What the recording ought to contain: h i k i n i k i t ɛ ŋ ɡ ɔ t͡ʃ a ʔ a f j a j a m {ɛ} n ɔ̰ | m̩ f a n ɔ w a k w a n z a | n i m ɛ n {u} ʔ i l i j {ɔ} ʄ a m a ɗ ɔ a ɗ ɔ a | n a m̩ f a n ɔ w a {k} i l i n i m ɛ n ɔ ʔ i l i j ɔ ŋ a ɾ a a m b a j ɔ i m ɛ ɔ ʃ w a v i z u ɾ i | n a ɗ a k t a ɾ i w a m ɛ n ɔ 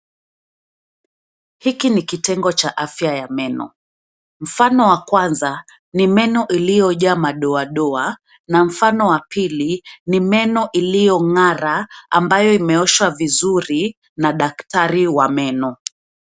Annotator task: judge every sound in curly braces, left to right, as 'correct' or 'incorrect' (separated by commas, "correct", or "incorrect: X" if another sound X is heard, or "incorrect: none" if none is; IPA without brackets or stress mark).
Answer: correct, incorrect: ɔ, correct, incorrect: p